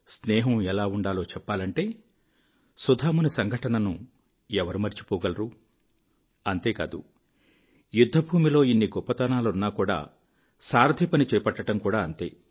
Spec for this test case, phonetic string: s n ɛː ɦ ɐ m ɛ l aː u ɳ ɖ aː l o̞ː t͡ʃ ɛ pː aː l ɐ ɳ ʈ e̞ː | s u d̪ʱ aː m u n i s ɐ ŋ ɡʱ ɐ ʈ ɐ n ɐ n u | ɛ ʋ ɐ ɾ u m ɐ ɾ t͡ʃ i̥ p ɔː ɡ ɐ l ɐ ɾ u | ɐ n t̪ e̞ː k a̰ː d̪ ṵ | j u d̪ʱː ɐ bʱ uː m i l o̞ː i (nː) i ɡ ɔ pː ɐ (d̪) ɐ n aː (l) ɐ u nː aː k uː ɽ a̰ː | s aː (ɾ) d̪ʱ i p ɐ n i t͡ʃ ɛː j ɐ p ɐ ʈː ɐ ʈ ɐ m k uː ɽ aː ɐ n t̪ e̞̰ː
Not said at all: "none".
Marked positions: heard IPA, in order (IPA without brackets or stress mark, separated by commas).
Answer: nː, t̪, l, ɾ